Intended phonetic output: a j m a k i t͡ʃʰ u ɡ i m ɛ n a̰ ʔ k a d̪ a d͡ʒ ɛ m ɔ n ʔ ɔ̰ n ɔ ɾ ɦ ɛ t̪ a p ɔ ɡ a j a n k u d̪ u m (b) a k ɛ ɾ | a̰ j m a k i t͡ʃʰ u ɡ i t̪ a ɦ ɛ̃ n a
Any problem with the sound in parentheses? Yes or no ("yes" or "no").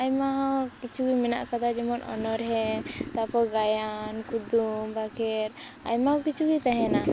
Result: no